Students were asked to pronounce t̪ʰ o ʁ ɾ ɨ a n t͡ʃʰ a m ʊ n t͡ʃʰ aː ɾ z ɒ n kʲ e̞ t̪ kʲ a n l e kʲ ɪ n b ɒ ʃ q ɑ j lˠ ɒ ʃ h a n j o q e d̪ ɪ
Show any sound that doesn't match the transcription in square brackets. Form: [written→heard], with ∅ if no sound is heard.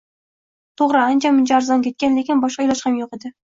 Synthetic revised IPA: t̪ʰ o ʁ ɾ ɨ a n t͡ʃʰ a m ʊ n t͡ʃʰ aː ɾ z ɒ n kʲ e̞ t̪ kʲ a n l e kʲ ɪ n b ɒ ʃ q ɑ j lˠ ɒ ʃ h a [n→m] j o q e d̪ ɪ